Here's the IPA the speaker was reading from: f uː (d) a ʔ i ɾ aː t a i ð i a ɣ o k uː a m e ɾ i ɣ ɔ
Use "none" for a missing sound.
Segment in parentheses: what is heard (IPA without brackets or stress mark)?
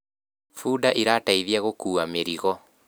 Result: d